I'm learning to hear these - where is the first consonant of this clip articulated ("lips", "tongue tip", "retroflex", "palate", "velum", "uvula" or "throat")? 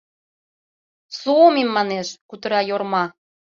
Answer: tongue tip